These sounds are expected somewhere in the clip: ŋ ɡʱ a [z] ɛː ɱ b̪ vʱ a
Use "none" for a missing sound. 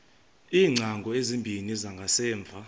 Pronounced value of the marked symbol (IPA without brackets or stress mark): s